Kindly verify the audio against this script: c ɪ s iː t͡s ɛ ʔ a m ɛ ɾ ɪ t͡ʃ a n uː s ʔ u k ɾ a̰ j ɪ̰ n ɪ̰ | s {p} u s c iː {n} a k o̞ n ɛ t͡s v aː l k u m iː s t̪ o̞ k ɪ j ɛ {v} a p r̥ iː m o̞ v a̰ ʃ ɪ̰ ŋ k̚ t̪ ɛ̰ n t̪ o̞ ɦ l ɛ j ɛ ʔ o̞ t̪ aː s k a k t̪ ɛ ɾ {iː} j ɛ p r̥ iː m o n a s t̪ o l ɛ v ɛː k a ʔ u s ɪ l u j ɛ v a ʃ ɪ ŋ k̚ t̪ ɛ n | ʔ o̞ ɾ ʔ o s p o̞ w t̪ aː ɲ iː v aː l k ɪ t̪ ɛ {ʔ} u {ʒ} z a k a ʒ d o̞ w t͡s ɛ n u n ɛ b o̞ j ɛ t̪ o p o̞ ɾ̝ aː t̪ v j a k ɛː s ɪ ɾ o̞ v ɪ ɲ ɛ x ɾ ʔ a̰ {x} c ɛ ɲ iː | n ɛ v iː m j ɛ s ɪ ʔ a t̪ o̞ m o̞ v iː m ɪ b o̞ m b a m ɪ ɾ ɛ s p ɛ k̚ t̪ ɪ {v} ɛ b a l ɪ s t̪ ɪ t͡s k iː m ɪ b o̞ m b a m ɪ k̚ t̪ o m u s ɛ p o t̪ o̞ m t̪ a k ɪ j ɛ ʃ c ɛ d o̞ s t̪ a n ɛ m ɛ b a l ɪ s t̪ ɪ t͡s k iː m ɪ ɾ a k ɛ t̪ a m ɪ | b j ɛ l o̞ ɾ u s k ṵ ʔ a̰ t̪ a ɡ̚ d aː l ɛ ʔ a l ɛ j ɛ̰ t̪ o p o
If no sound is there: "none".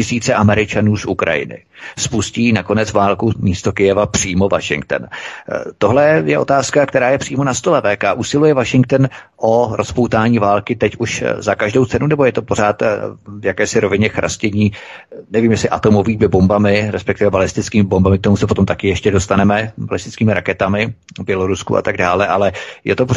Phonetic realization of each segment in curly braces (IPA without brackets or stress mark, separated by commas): p, n, v, aː, c, ʃ, s, v